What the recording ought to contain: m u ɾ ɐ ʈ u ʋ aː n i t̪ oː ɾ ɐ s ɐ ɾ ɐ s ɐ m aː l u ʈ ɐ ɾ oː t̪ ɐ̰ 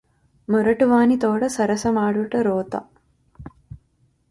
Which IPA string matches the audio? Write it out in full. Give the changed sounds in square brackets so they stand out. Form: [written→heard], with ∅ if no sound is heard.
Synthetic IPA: m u ɾ ɐ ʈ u ʋ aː n i t̪ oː [ɾ→ɽ] ɐ s ɐ ɾ ɐ s ɐ m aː [l→ɽ] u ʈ ɐ ɾ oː t̪ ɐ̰